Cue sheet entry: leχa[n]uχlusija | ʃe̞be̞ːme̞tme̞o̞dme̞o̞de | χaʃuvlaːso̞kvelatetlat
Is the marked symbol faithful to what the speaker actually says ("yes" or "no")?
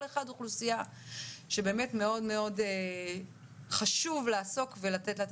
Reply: no